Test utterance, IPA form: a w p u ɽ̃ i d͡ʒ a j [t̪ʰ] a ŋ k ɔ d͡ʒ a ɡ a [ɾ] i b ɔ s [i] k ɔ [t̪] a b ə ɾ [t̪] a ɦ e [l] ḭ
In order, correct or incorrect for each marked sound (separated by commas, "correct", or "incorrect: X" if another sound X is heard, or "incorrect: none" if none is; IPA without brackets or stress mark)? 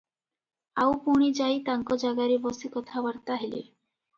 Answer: incorrect: t̪, correct, correct, incorrect: t̪ʰ, correct, correct